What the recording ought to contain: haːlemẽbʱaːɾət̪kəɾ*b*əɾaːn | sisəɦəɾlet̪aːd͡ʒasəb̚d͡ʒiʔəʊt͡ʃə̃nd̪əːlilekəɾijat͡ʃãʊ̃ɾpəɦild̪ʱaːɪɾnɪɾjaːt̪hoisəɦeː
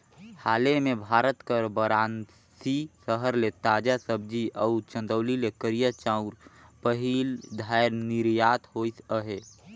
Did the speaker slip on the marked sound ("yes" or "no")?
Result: no